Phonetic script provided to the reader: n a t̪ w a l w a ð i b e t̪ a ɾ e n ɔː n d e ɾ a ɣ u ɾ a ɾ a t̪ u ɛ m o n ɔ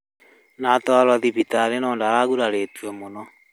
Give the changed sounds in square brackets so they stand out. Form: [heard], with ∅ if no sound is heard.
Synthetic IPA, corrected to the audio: n a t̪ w a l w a ð i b [i] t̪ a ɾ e n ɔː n d [a] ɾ a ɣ u ɾ a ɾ [e] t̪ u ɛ m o n ɔ